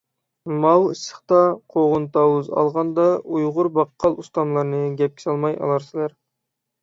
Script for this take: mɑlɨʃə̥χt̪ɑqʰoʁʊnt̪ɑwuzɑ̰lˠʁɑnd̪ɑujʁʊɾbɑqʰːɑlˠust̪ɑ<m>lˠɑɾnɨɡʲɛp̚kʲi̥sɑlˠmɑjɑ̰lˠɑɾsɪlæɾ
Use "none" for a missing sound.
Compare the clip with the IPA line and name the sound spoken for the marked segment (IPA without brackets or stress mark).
m